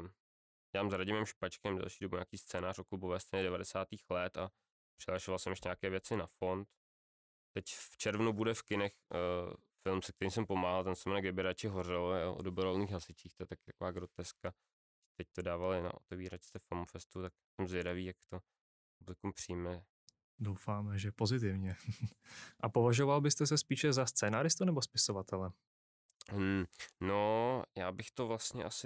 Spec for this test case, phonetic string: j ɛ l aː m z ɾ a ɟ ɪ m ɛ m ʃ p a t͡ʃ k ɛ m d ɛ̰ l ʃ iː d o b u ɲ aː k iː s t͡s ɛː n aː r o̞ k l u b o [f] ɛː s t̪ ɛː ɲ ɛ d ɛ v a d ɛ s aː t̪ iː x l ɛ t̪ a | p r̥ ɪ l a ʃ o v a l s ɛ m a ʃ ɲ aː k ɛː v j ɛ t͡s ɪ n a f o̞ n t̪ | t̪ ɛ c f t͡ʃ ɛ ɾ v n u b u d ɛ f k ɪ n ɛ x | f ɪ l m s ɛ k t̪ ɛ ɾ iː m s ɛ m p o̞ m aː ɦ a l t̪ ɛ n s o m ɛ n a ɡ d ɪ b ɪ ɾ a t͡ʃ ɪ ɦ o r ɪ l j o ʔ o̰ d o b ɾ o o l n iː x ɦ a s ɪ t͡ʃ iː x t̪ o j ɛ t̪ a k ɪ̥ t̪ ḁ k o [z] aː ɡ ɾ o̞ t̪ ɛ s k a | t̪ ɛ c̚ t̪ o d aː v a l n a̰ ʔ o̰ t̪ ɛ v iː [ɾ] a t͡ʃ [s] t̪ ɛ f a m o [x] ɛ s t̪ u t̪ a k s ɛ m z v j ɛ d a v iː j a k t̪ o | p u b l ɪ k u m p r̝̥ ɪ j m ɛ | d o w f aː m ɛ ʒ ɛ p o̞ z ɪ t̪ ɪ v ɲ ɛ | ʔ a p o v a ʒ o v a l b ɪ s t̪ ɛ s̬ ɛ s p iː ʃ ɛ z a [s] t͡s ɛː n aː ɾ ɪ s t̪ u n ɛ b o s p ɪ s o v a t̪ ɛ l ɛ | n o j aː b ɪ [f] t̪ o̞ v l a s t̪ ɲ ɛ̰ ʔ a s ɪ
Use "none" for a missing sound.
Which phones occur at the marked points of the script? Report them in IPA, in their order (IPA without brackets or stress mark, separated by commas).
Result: v, v, ɾ, s, f, s, x